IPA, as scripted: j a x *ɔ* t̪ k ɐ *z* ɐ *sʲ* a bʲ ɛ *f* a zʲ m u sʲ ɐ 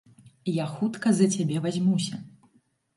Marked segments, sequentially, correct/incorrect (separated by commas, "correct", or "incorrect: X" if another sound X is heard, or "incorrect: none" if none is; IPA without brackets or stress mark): incorrect: u, correct, incorrect: t͡sʲ, incorrect: v